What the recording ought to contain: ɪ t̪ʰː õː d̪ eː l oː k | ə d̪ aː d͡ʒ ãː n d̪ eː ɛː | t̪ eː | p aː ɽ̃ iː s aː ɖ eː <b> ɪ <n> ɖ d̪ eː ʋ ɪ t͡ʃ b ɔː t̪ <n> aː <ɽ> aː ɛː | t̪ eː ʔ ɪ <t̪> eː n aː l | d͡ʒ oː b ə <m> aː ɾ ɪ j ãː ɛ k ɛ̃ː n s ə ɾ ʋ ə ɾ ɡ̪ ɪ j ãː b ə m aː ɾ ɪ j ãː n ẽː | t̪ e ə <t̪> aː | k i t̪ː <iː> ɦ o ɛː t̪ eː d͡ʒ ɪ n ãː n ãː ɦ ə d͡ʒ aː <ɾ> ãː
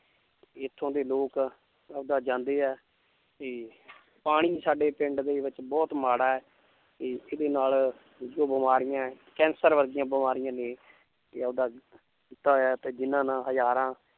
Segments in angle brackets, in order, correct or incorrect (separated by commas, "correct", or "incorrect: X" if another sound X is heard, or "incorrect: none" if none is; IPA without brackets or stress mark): incorrect: p, incorrect: ɳ, incorrect: m, correct, incorrect: d̪, correct, incorrect: d̪, incorrect: aː, correct